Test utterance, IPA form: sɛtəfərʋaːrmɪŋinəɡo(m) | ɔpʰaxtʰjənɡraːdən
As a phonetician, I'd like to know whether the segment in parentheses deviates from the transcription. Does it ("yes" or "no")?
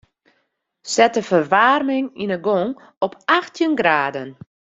yes